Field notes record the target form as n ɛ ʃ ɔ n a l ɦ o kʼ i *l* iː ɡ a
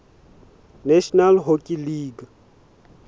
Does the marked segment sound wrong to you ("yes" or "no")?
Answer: no